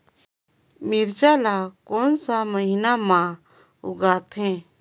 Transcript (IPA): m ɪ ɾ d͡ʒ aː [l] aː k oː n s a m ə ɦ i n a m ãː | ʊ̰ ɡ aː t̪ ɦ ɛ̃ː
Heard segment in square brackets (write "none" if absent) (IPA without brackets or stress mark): l